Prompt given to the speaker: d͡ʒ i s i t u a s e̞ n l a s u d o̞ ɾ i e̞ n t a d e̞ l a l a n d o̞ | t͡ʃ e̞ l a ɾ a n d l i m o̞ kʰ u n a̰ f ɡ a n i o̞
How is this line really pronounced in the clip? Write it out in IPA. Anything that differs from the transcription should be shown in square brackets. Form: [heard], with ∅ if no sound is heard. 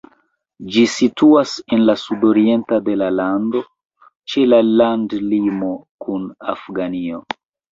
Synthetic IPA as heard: d͡ʒ i s i t u a s e̞ n l a s u d o̞ ɾ i e̞ n t a d e̞ l a l a n d o̞ | t͡ʃ e̞ l a [l] a n d l i m o̞ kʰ u n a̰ f ɡ a n i o̞